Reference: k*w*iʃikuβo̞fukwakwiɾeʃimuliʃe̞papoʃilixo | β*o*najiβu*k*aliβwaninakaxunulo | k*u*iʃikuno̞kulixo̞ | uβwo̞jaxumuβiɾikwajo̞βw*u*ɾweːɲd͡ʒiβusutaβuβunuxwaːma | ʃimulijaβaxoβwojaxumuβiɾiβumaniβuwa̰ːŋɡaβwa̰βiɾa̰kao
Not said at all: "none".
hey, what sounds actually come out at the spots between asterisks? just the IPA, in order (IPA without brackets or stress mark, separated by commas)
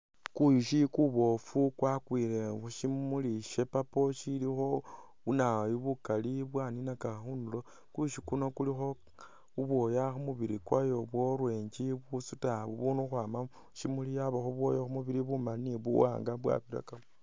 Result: u, u, k, u, o